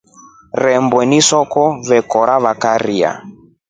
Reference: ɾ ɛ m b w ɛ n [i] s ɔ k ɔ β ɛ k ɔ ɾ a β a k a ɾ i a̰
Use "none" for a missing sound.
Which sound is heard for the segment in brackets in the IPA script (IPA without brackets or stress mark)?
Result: i